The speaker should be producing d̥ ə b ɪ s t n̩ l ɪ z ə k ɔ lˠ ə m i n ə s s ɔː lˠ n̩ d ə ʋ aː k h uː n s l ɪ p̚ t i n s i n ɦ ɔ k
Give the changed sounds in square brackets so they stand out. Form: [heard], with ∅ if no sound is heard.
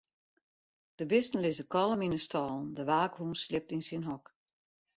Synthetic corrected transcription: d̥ ə b ɪ s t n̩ l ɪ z ə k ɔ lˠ ə m i n ə s [t] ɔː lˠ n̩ d ə ʋ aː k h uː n s l ɪ p̚ t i n s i n ɦ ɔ k

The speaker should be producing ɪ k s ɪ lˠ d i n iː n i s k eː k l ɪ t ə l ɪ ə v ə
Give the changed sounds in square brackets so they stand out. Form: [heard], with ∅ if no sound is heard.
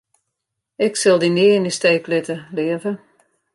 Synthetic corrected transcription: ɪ k s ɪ lˠ d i n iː n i s [t] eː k l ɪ t ə l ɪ ə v ə

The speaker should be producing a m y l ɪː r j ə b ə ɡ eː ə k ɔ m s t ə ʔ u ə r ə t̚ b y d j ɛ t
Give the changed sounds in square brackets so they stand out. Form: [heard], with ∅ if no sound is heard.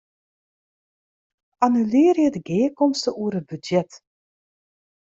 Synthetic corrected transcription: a [n] y l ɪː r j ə [d] ə ɡ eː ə k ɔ m s t ə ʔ u ə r ə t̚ b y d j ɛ t

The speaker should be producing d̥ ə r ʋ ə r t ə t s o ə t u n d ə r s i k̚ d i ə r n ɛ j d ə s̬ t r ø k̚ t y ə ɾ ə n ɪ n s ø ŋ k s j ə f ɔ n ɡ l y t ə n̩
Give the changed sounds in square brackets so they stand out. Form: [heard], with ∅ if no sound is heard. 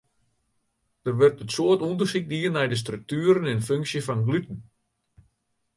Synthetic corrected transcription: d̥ ə r ʋ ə r t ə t s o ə t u n d ə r s i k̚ d i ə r n ɛ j d ə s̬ t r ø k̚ t y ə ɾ ə n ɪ n [f] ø ŋ k s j ə f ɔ n ɡ l y t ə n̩

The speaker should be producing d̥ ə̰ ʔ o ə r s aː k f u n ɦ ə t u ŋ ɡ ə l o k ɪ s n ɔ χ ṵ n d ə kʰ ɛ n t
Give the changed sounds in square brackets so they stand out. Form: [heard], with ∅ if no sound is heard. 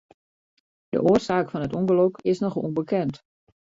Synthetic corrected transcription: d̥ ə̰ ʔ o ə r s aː k f [ɔ] n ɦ ə t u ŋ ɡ ə l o k ɪ s n ɔ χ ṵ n [b] ə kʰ ɛ n t

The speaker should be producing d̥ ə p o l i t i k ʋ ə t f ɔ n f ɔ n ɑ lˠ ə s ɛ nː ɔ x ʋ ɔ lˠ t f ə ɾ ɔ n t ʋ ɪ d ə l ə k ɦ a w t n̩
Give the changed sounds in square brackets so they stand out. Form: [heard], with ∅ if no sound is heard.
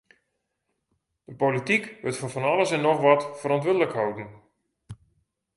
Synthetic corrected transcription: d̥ ə p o l i t i k ʋ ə t f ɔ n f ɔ n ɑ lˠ ə s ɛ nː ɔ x ʋ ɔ [∅] t f ə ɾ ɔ n t ʋ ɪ d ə l ə k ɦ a w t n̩

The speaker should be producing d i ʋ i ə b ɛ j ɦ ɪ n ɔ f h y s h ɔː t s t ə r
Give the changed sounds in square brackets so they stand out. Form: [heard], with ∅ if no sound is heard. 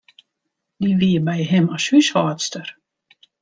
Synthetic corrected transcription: d i ʋ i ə b ɛ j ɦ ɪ [m] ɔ [s] h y s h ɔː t s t ə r

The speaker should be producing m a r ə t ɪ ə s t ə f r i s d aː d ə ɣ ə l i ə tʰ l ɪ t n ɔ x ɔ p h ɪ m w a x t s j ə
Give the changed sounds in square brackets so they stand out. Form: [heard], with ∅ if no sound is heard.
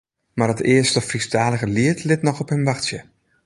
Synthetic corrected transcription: m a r ə t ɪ ə s t ə f r i s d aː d ə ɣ ə l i ə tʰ l ɪ t n ɔ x ɔ p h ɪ m [ʋ] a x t s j ə

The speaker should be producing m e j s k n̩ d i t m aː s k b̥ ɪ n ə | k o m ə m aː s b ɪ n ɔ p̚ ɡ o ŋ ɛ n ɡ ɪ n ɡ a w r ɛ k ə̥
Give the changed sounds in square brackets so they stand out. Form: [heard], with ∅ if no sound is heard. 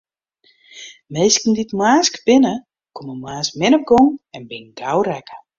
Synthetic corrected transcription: m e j s k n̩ d i t m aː s k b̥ ɪ n ə | k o m ə m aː s [m] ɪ n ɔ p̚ ɡ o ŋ ɛ n [b] ɪ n ɡ a w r ɛ k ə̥

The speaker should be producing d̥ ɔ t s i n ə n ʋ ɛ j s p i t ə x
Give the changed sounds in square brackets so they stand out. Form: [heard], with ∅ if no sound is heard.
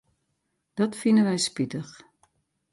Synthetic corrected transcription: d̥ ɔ t [f] i n ə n ʋ ɛ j s p i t ə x

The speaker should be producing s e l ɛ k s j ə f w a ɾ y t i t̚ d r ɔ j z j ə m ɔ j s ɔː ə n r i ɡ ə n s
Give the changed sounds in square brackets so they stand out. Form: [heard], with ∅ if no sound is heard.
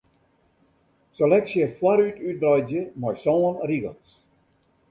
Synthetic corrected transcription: s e l ɛ k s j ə f w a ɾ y t [y] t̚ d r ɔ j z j ə m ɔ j s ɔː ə n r i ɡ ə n s

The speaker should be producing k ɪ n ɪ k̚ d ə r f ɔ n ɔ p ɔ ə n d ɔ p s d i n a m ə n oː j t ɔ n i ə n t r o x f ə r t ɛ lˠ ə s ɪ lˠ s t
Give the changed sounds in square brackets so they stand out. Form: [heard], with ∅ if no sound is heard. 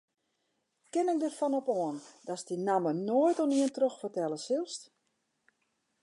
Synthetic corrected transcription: k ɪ n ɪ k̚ d ə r f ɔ n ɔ p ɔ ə n d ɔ [∅] s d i n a m ə n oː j t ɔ n i ə n t r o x f ə r t ɛ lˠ ə s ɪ lˠ s t

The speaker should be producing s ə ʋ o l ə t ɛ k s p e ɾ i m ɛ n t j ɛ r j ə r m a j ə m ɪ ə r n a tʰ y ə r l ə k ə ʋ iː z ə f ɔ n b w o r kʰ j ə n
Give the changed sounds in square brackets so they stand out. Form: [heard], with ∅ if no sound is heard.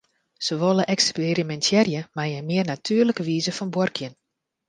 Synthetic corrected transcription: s ə ʋ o l ə [ʔ] ɛ k s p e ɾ i m ɛ n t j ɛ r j ə [∅] m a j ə m ɪ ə r n a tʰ y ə r l ə k ə ʋ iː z ə f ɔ n b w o r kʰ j ə n

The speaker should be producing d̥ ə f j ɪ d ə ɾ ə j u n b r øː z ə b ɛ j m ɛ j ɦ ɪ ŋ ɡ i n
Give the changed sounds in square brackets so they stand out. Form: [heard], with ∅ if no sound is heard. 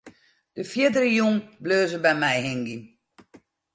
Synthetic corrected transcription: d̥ ə f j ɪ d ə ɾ ə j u [ŋ] b [l] øː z ə b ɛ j m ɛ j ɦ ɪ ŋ ɡ i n

